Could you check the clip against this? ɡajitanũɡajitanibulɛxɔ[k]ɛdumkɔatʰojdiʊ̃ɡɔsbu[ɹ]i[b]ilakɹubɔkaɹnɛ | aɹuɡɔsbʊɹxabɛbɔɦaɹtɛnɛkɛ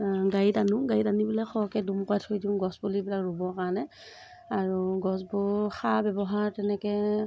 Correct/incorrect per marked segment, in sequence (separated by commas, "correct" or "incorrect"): correct, incorrect, correct